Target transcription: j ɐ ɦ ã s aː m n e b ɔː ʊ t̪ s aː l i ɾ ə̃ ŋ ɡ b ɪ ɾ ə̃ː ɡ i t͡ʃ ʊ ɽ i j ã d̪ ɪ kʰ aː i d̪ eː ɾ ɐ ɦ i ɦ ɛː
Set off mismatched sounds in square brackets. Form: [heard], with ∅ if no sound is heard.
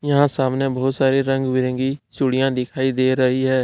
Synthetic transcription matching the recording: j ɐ ɦ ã s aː m n e b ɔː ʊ t̪ s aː [ɾ] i ɾ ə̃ ŋ ɡ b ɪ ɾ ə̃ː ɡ i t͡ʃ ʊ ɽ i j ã d̪ ɪ kʰ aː i d̪ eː ɾ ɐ ɦ i ɦ ɛː

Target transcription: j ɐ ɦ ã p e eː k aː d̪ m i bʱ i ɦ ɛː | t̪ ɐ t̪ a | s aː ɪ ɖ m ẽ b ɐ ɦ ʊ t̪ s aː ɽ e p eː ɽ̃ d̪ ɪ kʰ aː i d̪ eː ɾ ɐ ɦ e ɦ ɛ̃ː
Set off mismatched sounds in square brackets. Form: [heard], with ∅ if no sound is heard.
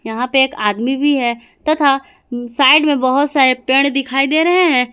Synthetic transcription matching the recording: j ɐ ɦ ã p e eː k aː d̪ m i bʱ i ɦ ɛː | t̪ ɐ [t̪ʰ] a | s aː ɪ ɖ m ẽ b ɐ ɦ ʊ t̪ s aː [ɾ] e p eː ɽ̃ d̪ ɪ kʰ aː i d̪ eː ɾ ɐ ɦ e ɦ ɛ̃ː

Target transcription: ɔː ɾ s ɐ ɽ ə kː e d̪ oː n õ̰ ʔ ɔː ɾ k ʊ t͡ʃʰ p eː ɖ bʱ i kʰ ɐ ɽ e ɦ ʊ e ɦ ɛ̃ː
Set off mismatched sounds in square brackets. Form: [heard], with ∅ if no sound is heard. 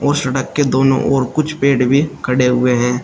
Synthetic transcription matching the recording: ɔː ɾ s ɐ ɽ ə kː e d̪ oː n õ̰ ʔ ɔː ɾ k ʊ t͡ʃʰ p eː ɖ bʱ i kʰ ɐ ɽ e ɦ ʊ e ɦ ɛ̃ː

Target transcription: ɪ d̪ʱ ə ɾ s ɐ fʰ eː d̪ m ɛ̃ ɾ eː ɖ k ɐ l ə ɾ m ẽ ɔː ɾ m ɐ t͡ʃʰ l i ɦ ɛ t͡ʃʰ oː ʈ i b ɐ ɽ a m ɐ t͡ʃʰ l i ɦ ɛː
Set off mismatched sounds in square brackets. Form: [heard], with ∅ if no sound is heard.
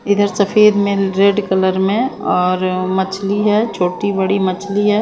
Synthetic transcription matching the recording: ɪ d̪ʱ ə ɾ s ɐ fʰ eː d̪ m [ẽ] ɾ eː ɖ k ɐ l ə ɾ m ẽ ɔː ɾ m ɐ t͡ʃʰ l i ɦ ɛ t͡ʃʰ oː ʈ i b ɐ ɽ [i] m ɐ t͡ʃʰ l i ɦ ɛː

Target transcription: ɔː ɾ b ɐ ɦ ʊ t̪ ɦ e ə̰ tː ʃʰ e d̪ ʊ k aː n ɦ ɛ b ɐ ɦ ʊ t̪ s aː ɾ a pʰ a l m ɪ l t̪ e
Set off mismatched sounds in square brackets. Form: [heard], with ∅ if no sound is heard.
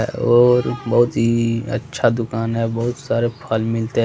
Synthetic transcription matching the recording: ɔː ɾ b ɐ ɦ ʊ t̪ ɦ [i] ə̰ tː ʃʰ [a] d̪ ʊ k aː n ɦ ɛ b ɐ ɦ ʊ t̪ s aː ɾ [e] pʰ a l m ɪ l t̪ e

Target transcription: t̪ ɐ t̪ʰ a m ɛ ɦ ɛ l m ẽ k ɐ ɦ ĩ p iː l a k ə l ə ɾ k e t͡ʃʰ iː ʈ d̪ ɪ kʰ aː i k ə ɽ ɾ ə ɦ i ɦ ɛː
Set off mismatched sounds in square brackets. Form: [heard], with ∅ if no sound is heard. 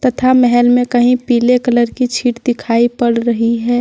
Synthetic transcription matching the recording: t̪ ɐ t̪ʰ a m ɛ ɦ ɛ l m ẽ k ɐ ɦ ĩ p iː l [e] k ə l ə ɾ k [i] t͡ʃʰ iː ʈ d̪ ɪ kʰ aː i [p] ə ɽ ɾ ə ɦ i ɦ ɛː

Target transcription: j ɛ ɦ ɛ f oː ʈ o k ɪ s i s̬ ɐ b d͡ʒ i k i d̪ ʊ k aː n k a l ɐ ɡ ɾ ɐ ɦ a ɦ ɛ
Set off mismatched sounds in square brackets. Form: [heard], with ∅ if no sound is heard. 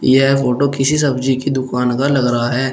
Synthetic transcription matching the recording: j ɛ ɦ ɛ f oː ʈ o k ɪ s i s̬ ɐ b d͡ʒ i k i d̪ ʊ k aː n k a l ɐ ɡ ɾ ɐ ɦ a ɦ [ɛː]

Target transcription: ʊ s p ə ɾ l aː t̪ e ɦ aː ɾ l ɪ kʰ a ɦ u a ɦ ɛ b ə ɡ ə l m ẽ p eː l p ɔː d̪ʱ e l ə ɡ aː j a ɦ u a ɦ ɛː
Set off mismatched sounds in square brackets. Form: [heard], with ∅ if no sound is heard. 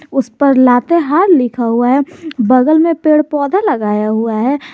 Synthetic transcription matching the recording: ʊ s p ə ɾ l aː t̪ e ɦ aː ɾ l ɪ kʰ a ɦ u a ɦ ɛ b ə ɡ ə l m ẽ p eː [ɽ] p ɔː d̪ʱ [a] l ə ɡ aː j a ɦ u a ɦ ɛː

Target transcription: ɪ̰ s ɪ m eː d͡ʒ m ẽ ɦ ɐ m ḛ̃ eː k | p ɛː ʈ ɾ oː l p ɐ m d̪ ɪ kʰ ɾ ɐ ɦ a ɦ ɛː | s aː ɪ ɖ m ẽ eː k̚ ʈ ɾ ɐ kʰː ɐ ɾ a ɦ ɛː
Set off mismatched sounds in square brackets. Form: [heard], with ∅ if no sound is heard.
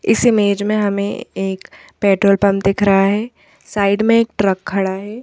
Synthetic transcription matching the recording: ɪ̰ s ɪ m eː d͡ʒ m ẽ ɦ ɐ m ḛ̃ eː k | p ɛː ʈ ɾ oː l p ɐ m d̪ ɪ kʰ ɾ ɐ ɦ a ɦ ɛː | s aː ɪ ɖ m ẽ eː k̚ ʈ ɾ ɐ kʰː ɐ [ɽ] a ɦ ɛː

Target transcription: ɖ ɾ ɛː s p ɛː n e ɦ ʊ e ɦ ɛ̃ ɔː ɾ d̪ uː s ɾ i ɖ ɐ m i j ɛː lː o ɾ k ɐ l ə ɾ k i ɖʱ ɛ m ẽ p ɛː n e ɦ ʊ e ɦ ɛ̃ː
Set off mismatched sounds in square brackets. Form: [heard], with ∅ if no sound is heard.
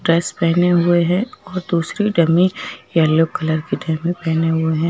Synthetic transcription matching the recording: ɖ ɾ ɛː s p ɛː n e ɦ ʊ e ɦ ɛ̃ ɔː ɾ d̪ uː s ɾ i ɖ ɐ m i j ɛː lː o [∅] k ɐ l ə ɾ k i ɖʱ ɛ m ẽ p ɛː n e ɦ ʊ e ɦ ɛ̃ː

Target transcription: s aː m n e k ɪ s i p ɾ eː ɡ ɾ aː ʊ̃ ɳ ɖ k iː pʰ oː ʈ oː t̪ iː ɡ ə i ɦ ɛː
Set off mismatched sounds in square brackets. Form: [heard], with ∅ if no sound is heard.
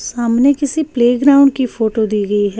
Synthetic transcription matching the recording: s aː m n e k ɪ s i p [l] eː ɡ ɾ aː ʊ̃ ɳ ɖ k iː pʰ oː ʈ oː [d̪] iː ɡ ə i ɦ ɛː

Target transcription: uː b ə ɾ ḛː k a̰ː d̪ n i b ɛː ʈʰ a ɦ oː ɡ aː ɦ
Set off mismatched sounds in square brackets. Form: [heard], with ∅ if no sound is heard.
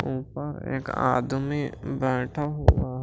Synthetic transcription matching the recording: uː [p] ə ɾ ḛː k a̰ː d̪ [m] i b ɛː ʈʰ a ɦ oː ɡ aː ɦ

